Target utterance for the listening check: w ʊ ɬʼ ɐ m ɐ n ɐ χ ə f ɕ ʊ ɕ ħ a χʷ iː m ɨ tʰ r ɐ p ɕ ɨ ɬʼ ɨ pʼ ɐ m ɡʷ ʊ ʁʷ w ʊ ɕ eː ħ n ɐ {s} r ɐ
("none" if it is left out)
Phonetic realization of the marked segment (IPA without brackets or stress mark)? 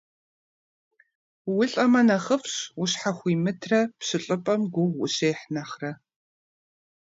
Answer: χ